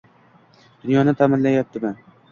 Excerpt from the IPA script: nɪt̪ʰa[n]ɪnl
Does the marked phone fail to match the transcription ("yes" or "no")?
yes